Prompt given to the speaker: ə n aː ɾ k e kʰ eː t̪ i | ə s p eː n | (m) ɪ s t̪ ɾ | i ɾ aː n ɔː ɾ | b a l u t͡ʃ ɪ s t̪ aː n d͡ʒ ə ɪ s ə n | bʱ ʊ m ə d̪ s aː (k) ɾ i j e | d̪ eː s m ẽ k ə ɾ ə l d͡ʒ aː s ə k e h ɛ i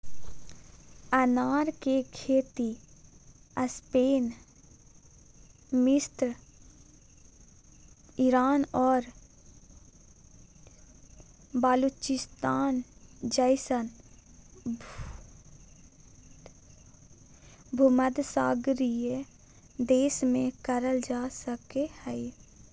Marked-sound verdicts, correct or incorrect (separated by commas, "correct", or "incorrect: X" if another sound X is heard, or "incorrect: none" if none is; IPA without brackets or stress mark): correct, incorrect: ɡ